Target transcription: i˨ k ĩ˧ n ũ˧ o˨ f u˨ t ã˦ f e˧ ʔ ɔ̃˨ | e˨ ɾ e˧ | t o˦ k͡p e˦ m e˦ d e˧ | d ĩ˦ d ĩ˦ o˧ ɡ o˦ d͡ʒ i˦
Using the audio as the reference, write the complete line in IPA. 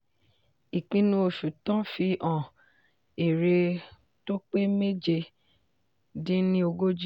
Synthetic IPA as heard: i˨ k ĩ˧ n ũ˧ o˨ ʃ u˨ t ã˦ f i˧ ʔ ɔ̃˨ | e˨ ɾ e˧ | t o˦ k͡p e˦ m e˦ d͡ʒ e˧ | d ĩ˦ n ĩ˦ o˧ ɡ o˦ d͡ʒ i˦